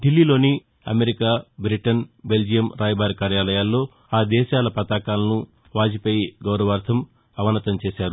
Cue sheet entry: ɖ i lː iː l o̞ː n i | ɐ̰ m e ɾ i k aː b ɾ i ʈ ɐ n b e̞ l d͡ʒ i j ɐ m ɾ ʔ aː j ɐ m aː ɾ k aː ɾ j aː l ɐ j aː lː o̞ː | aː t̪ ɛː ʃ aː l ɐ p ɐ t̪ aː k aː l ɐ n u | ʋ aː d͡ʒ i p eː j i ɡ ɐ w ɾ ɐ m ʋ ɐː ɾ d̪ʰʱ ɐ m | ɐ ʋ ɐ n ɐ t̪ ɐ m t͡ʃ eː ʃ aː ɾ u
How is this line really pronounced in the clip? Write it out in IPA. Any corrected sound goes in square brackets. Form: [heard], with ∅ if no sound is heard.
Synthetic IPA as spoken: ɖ i lː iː l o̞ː n i | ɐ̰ m e ɾ i k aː b ɾ i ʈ ɐ n b e̞ l d͡ʒ i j ɐ m ɾ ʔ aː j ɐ [b] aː ɾ k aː ɾ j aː l ɐ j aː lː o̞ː | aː [d̪] ɛː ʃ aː l ɐ p ɐ t̪ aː k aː l ɐ n u | ʋ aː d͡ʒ i p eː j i ɡ ɐ w ɾ ɐ [∅] ʋ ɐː ɾ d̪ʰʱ ɐ m | ɐ ʋ ɐ n ɐ t̪ ɐ m t͡ʃ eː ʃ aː ɾ u